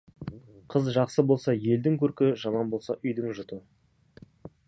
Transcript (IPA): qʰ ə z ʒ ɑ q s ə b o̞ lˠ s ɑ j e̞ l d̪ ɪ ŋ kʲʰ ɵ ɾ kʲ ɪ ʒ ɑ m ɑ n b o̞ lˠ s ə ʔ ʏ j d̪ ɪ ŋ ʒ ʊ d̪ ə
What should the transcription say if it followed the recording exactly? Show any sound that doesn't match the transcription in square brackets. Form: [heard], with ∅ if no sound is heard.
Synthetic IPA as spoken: qʰ ə z ʒ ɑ q s ə b o̞ lˠ s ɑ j e̞ l d̪ ɪ ŋ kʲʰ ɵ ɾ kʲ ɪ ʒ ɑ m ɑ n b o̞ lˠ s [ɑ] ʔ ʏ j d̪ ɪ ŋ ʒ ʊ [t̪] ə